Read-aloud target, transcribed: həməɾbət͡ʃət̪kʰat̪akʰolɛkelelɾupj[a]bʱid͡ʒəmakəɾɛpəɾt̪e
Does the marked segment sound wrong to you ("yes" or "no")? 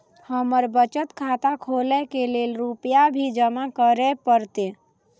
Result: no